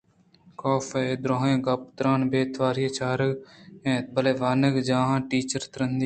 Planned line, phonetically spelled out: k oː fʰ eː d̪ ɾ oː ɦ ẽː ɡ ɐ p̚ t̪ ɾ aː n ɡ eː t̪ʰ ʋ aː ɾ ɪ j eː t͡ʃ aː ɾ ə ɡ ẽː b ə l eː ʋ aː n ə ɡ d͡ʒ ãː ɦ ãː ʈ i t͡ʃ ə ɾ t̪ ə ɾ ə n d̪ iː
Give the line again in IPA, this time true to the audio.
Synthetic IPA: k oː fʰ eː d̪ ɾ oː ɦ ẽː ɡ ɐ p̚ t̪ ɾ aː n b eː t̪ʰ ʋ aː ɾ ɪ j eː t͡ʃ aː ɾ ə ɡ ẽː b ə l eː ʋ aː n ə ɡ d͡ʒ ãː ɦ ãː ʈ iː t͡ʃ ə ɾ t̪ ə ɾ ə n d̪ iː